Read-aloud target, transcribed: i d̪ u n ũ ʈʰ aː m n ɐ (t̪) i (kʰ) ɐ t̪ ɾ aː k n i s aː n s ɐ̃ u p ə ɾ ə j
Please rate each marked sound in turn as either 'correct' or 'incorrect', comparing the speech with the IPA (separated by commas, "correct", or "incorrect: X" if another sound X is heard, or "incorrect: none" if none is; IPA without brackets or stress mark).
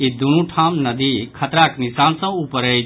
incorrect: d̪, correct